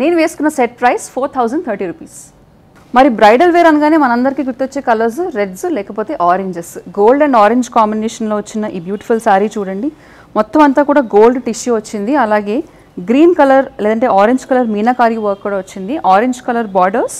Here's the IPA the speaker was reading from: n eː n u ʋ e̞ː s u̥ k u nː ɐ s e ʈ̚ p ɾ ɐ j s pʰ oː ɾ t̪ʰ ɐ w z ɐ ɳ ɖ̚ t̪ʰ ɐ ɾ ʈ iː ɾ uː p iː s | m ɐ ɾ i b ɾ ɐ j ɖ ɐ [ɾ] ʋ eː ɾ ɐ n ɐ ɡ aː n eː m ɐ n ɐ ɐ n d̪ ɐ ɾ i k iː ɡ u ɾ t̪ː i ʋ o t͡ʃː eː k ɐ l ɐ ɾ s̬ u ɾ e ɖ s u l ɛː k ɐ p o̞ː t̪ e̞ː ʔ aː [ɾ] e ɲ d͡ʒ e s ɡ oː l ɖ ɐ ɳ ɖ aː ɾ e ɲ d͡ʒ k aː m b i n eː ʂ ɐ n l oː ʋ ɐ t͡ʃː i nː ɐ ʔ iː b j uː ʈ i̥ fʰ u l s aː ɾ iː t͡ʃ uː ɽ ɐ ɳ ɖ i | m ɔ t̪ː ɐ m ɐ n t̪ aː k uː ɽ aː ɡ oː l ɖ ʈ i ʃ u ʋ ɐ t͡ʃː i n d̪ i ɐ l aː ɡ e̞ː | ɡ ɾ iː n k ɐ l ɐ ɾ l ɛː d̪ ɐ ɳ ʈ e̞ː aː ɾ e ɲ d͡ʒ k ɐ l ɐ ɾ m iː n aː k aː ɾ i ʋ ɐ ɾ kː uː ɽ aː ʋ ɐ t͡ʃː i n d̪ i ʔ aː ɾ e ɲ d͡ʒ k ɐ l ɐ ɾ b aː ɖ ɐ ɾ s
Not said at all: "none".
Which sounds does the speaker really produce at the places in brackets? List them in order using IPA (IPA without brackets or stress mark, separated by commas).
l, ɾ